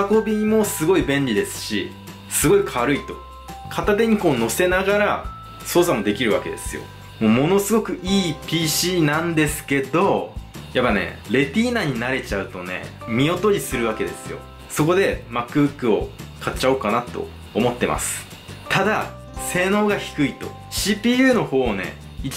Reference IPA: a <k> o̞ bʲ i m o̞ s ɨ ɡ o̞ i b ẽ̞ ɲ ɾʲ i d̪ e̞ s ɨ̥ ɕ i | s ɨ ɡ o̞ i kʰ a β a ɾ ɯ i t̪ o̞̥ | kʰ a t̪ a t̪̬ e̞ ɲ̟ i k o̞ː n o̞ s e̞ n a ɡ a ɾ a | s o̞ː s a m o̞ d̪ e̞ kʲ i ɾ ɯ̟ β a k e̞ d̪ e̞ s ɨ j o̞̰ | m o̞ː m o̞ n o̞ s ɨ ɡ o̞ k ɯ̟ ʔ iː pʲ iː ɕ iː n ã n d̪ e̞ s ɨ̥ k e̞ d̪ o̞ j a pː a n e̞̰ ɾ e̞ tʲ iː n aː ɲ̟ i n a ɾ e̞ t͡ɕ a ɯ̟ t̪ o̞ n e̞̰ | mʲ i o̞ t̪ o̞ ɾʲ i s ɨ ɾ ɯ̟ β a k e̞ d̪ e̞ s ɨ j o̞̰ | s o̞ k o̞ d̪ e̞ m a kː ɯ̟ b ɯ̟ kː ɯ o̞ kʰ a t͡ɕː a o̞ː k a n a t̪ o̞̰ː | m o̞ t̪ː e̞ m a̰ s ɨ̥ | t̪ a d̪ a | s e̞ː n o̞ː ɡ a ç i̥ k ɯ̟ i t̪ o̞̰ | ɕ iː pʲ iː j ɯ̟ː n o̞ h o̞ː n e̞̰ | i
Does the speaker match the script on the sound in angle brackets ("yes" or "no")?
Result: yes